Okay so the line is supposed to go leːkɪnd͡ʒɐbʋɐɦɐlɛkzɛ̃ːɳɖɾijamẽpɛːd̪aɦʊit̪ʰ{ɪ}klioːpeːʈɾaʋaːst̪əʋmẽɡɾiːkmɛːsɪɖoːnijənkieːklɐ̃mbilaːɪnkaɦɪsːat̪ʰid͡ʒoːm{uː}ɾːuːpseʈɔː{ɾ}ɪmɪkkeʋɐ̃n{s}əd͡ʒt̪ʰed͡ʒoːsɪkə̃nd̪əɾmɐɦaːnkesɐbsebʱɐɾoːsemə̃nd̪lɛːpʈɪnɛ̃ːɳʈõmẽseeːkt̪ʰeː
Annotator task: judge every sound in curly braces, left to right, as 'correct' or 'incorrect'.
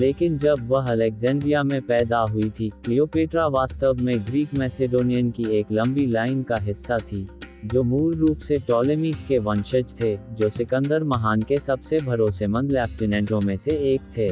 incorrect, correct, incorrect, incorrect

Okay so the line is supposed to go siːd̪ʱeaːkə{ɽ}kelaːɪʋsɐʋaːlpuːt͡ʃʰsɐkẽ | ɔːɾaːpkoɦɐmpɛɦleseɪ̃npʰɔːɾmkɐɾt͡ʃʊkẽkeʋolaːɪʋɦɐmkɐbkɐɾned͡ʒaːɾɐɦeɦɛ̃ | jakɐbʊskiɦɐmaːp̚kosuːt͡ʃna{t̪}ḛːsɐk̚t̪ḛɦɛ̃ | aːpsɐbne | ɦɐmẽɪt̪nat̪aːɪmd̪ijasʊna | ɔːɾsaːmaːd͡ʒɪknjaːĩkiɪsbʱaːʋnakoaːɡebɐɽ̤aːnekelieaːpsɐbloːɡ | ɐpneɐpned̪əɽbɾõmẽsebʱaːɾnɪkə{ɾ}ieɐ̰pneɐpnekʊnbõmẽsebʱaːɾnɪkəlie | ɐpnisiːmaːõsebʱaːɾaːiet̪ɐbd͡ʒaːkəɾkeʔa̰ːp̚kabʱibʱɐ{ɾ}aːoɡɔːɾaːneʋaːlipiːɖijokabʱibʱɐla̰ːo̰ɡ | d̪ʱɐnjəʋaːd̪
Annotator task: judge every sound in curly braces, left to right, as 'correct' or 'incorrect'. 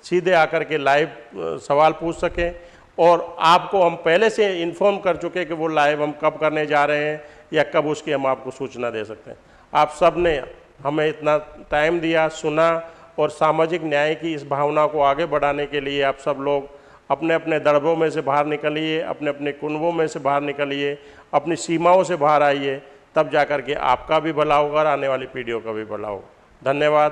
incorrect, incorrect, incorrect, incorrect

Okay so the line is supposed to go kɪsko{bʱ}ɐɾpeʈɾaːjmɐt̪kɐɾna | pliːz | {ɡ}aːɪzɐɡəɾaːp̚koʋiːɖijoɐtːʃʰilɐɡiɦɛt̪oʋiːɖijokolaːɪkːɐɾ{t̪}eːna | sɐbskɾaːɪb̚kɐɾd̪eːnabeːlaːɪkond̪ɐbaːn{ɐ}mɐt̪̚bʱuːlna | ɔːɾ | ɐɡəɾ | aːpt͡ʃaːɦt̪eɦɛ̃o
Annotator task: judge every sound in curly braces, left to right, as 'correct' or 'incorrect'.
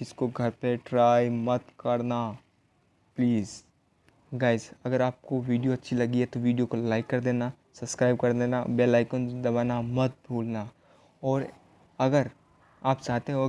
incorrect, correct, incorrect, incorrect

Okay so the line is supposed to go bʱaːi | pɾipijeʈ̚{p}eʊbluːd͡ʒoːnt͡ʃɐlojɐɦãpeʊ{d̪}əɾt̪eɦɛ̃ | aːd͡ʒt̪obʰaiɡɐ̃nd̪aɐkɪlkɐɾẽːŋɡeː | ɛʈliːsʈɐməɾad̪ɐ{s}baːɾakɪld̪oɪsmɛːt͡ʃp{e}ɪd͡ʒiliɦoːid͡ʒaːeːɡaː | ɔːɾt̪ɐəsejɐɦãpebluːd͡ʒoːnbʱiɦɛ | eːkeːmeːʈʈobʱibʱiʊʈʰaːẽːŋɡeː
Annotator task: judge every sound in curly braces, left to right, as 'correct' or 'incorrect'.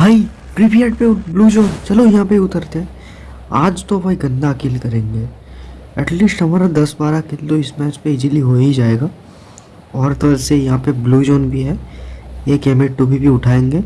correct, incorrect, correct, correct

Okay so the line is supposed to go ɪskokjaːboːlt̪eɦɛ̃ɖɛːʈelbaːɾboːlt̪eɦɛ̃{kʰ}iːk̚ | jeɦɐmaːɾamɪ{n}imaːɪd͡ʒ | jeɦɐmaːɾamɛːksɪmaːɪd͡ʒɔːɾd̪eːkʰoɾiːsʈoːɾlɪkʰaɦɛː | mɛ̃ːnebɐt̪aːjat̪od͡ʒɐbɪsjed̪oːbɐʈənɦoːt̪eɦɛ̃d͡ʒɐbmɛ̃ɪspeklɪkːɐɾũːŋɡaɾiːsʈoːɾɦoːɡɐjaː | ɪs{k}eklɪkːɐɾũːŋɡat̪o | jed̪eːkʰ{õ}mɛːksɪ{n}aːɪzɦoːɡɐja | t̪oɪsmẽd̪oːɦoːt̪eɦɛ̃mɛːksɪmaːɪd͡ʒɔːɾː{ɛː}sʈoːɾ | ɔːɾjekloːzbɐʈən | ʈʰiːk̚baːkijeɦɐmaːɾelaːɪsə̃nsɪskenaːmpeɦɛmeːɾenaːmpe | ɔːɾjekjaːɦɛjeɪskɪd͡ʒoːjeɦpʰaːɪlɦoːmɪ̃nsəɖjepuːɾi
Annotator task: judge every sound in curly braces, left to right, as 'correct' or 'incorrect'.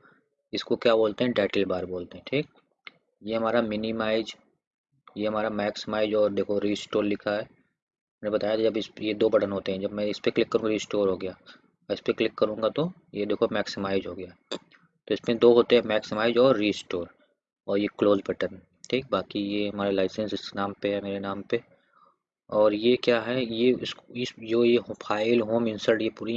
incorrect, correct, incorrect, incorrect, incorrect, incorrect

